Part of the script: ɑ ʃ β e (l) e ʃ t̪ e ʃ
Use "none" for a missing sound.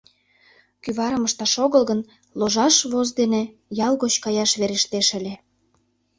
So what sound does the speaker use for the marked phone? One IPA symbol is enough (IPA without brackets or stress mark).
ɾ